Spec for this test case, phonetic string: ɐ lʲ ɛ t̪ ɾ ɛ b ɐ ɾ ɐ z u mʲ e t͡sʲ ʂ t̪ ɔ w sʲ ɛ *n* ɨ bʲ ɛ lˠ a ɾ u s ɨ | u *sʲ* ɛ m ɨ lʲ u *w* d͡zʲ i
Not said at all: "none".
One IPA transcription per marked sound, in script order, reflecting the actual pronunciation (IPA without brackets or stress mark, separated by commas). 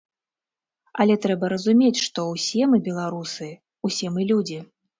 m, sʲ, none